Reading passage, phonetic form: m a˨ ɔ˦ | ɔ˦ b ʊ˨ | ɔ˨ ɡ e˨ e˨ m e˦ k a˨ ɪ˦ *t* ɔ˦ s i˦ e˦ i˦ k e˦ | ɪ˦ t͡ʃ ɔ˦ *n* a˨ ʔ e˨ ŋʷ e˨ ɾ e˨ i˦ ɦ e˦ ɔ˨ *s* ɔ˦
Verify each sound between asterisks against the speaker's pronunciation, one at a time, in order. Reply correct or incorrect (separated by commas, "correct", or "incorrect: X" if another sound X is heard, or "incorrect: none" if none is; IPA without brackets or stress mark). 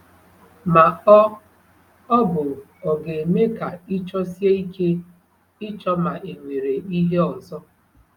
incorrect: t͡ʃ, incorrect: m, incorrect: z